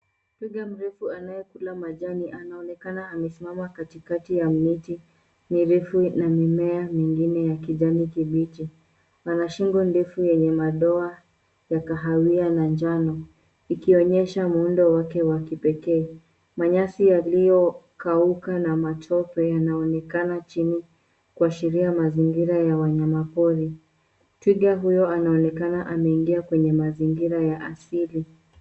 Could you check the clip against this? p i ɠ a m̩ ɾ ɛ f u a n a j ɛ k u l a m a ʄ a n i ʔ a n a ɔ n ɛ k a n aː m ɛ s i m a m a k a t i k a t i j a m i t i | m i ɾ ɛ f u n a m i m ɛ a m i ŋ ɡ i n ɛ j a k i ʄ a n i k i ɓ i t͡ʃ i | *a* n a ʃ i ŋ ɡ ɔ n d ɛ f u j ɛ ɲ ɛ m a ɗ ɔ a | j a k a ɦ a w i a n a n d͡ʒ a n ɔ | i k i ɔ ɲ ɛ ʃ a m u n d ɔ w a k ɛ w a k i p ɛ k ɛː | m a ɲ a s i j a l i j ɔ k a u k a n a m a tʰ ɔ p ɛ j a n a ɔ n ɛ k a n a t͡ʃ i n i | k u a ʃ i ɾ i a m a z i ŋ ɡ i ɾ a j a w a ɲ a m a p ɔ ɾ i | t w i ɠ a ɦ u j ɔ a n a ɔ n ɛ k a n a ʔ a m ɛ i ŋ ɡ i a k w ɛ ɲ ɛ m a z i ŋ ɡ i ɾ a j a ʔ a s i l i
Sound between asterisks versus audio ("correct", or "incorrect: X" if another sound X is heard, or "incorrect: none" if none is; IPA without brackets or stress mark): correct